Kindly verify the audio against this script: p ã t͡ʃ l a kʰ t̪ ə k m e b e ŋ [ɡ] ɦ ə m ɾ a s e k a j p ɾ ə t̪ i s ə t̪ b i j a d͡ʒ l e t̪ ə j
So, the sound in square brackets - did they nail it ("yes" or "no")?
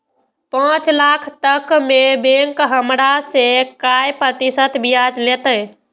no